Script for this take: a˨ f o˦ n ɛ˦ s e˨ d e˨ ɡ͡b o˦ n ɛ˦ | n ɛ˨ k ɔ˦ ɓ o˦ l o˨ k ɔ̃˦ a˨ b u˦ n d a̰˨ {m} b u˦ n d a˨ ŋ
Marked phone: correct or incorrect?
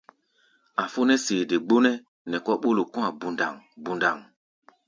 incorrect